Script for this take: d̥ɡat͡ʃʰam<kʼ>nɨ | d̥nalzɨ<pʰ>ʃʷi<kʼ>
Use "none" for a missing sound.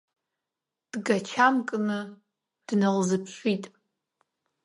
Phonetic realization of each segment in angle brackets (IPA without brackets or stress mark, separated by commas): kʼ, pʰ, tʼ